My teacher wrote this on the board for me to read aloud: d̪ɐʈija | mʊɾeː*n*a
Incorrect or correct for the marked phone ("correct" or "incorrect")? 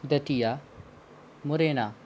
correct